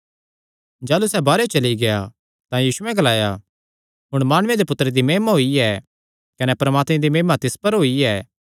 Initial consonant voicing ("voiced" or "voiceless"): voiced